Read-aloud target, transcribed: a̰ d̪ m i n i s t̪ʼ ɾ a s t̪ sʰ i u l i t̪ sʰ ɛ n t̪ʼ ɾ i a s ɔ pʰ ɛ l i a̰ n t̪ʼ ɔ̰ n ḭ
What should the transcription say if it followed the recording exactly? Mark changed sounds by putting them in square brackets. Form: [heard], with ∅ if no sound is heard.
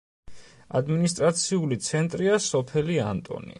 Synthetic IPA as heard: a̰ d̪ m i n i s t̪ʼ ɾ a [∅] t̪ sʰ i u l i t̪ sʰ ɛ n t̪ʼ ɾ i a s ɔ pʰ ɛ l i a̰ n t̪ʼ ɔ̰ n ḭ

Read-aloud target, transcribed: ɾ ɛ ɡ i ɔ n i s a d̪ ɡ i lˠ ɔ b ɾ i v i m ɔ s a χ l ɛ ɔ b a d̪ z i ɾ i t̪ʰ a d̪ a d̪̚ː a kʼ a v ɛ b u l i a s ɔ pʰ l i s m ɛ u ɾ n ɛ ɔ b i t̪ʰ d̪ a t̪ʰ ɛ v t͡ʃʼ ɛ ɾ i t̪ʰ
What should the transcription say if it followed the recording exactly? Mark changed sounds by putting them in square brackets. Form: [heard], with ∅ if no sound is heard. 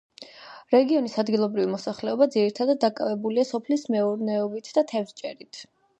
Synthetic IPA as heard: ɾ ɛ ɡ i ɔ n i s a d̪ ɡ i lˠ ɔ b ɾ i v i m ɔ s a χ l ɛ ɔ b a d̪ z i ɾ i t̪ʰ a d̪ a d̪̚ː a kʼ a v ɛ b u l i a s ɔ pʰ l i s m ɛ u ɾ n ɛ ɔ b i t̪ʰ d̪ a t̪ʰ ɛ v t͡ʃʼ ɛ ɾ i t̪ʰ

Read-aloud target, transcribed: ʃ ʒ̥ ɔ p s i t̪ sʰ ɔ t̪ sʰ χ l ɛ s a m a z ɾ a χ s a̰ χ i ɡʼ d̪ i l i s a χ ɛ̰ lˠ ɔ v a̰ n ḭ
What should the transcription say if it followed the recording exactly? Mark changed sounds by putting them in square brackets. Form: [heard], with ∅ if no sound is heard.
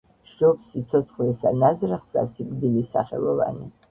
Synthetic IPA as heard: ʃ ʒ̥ ɔ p s i t̪ sʰ ɔ t̪ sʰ χ l ɛ s a [n] a z ɾ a χ s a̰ [s] i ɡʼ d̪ i l i s a χ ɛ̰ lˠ ɔ v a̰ n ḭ

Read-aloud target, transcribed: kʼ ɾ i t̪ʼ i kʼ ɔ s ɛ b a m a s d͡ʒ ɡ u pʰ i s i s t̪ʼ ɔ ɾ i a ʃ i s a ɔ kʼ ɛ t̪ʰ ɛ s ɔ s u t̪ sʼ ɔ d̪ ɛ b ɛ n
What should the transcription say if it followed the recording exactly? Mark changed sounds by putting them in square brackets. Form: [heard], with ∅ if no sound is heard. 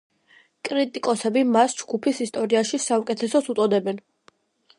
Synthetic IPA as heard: kʼ ɾ i t̪ʼ i kʼ ɔ s ɛ b [i] m a s d͡ʒ ɡ u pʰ i s i s t̪ʼ ɔ ɾ i a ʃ i s a [u] kʼ ɛ t̪ʰ ɛ s ɔ s u t̪ sʼ ɔ d̪ ɛ b ɛ n

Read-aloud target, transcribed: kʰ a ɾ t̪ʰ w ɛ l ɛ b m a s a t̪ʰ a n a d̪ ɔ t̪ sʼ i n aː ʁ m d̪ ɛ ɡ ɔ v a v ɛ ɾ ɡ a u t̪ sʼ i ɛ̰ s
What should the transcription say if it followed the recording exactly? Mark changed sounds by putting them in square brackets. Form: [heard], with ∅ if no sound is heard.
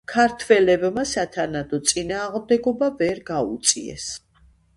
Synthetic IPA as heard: kʰ a ɾ t̪ʰ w ɛ l ɛ b m a s a t̪ʰ a n a d̪ ɔ t̪ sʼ i n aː ʁ m d̪ ɛ ɡ ɔ [b] a v ɛ ɾ ɡ a u t̪ sʼ i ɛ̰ s

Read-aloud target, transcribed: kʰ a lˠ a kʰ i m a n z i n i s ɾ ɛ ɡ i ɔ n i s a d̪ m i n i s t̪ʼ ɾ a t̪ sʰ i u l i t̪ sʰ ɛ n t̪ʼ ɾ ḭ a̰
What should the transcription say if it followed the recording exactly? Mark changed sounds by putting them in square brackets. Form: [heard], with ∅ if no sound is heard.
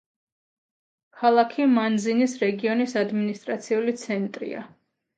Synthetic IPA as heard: kʰ a lˠ a kʰ i m a n z i n i s ɾ ɛ ɡ i ɔ n i s a d̪ m i n i s t̪ʼ ɾ a t̪ sʰ i u l i t̪ sʰ ɛ n t̪ʼ ɾ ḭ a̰

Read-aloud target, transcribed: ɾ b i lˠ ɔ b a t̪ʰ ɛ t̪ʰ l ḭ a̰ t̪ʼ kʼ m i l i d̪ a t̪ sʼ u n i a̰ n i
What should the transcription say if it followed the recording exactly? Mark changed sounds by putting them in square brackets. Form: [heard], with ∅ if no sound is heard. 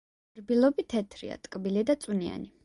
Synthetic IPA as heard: ɾ b i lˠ ɔ b [i] t̪ʰ ɛ t̪ʰ [ɾ] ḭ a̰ t̪ʼ kʼ [b] i l i d̪ a t̪ sʼ u n i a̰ n i

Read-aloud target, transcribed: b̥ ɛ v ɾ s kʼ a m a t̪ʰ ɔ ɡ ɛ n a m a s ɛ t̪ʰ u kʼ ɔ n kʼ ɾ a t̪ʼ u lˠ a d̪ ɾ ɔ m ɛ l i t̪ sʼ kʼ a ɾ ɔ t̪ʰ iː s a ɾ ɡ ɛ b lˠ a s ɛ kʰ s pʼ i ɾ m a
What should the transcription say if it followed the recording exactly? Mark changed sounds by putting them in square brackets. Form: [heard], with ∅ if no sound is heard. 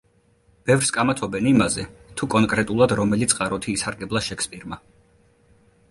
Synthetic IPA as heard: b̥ ɛ v ɾ s kʼ a m a t̪ʰ ɔ [b] ɛ n [i] m a [z] ɛ t̪ʰ u kʼ ɔ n kʼ ɾ [ɛ] t̪ʼ u lˠ a d̪ ɾ ɔ m ɛ l i t̪ sʼ [qʼ] a ɾ ɔ t̪ʰ iː s a ɾ ɡ ɛ b lˠ a [ʃ] ɛ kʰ s pʼ i ɾ m a

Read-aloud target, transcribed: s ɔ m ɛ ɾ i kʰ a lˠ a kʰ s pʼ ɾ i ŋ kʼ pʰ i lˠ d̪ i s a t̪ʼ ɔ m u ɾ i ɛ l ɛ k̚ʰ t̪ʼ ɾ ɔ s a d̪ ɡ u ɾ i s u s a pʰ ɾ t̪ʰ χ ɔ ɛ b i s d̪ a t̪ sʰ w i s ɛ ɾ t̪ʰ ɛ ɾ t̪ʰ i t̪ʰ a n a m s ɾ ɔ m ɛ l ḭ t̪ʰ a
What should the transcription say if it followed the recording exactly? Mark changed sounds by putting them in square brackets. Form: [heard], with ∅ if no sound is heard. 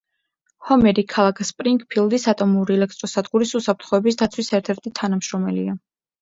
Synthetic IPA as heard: [h] ɔ m ɛ ɾ i kʰ a lˠ a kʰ s pʼ ɾ i ŋ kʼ pʰ i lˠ d̪ i s a t̪ʼ ɔ m u ɾ i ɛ l ɛ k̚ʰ t̪ʼ ɾ ɔ s a d̪ ɡ u ɾ i s u s a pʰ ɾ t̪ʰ χ ɔ ɛ b i s d̪ a t̪ sʰ w i s ɛ ɾ t̪ʰ ɛ ɾ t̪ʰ i t̪ʰ a n a m [ʃ] ɾ ɔ m ɛ l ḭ [∅] a

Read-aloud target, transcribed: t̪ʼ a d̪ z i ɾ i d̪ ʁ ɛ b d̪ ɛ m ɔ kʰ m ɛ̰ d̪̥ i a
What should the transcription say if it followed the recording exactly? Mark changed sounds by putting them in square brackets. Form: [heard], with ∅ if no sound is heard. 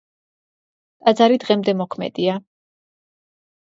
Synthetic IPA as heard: t̪ʼ a d̪ z [a] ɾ i d̪ ʁ ɛ [m] d̪ ɛ m ɔ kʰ m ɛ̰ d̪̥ i a

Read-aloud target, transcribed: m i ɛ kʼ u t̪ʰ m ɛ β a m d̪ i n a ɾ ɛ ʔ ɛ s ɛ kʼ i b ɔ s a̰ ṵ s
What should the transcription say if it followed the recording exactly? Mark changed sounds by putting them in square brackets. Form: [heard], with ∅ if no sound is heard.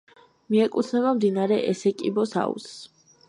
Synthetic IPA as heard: m i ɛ kʼ u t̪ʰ [n] ɛ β a m d̪ i n a ɾ ɛ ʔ ɛ s ɛ kʼ i b ɔ s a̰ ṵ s

